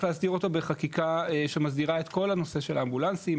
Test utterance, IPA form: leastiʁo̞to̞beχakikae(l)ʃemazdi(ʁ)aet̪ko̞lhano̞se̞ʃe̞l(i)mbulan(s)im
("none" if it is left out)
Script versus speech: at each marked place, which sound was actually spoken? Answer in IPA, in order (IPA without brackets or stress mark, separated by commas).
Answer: none, ʁ, a, s